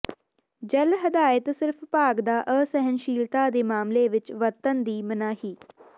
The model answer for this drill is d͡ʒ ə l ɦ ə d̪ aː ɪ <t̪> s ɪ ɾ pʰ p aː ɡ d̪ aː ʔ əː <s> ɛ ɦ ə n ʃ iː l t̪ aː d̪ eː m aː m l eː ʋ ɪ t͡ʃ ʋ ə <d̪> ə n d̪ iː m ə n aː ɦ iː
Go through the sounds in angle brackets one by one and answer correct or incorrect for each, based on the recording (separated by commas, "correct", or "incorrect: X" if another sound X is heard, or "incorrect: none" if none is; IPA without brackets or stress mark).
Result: correct, correct, incorrect: t̪